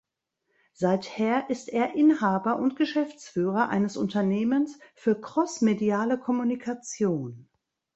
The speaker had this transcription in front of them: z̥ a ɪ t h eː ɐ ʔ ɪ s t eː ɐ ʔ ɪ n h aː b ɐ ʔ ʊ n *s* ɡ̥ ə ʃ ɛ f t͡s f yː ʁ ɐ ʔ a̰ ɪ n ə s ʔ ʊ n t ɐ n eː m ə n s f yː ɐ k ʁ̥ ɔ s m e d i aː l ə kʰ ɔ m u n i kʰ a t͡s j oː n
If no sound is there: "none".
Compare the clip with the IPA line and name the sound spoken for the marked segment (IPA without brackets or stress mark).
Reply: t